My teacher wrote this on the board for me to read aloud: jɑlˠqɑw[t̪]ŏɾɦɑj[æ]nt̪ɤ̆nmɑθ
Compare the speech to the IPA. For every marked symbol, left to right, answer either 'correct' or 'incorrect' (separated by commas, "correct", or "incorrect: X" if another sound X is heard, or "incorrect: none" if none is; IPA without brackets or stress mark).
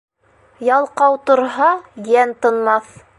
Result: correct, correct